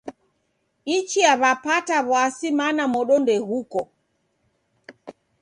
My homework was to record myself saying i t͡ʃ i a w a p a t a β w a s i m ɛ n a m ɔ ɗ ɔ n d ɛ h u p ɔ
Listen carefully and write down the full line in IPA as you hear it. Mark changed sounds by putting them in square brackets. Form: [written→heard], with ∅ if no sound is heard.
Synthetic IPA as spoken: i t͡ʃ i a [w→β] a p a t a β w a s i m [ɛ→a] n a m ɔ ɗ ɔ n d ɛ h u [p→k] ɔ